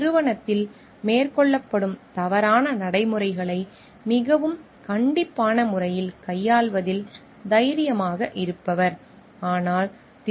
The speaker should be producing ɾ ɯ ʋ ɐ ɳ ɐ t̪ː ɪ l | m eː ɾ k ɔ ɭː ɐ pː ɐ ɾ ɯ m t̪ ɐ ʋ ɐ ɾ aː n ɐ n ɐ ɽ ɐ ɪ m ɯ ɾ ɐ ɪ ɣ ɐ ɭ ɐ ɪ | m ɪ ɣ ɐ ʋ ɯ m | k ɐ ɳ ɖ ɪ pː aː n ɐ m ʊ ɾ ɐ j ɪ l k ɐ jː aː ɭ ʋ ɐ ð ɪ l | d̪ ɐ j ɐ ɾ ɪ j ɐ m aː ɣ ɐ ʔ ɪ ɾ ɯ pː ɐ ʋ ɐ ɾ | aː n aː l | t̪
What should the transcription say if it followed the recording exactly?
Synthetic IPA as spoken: ɾ ɯ ʋ ɐ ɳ ɐ t̪ː ɪ l | m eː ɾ k ɔ ɭː ɐ pː ɐ ɽ ɯ m t̪ ɐ ʋ ɐ ɾ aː n ɐ n ɐ ɽ ɐ ɪ m ɯ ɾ ɐ ɪ ɣ ɐ ɭ ɐ ɪ | m ɪ ɣ ɐ ʋ ɯ m | k ɐ ɳ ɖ ɪ pː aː n ɐ m ʊ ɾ ɐ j ɪ l k ɐ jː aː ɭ ʋ ɐ ð ɪ l | d̪ ɐ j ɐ ɾ ɪ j ɐ m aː ɣ ɐ ʔ ɪ ɾ ɯ pː ɐ ʋ ɐ ɾ | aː n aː l | t̪